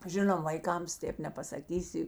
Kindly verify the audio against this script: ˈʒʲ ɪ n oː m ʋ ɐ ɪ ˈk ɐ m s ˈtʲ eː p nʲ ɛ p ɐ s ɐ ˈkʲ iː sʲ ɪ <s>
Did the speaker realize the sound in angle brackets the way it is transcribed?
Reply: no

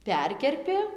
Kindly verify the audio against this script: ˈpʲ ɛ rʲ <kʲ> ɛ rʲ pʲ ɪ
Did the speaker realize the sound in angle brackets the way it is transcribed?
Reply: yes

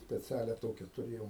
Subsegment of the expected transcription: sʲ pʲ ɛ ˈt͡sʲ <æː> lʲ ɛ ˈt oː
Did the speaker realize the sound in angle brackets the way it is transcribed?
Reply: yes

